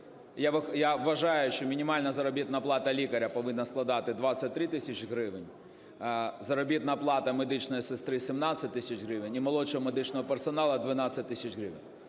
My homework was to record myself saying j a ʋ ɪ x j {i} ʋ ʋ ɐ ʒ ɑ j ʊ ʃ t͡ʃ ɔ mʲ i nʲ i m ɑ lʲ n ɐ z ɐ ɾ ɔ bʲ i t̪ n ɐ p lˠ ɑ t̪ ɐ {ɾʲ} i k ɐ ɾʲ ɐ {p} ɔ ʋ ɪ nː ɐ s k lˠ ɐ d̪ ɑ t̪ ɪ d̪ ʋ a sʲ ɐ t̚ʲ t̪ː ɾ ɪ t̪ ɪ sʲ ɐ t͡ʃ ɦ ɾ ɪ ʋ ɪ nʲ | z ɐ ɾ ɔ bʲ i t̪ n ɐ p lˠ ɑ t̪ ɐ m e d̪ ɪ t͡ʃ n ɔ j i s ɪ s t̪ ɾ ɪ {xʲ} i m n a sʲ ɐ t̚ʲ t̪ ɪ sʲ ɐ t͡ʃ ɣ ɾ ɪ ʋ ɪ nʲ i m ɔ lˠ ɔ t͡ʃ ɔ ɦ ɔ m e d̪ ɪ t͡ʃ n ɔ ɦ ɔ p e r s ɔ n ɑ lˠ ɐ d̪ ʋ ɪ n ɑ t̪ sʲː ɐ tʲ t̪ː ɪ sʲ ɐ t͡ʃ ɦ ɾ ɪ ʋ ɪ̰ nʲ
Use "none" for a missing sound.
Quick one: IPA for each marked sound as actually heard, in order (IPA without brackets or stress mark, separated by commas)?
a, lʲ, p, sʲ